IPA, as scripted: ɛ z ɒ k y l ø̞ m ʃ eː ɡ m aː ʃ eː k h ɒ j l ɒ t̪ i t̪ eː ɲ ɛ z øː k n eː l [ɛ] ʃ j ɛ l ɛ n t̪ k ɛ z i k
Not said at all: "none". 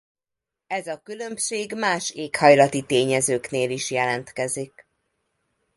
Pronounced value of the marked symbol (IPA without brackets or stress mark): i